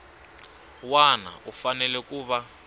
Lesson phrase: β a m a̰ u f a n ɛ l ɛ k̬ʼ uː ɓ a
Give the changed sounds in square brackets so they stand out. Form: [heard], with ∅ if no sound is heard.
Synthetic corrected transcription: [w] a [n] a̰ u f a n ɛ l ɛ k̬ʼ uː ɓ a